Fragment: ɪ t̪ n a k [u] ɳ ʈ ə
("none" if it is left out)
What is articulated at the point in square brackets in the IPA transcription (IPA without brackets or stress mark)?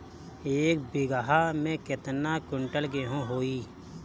ʊ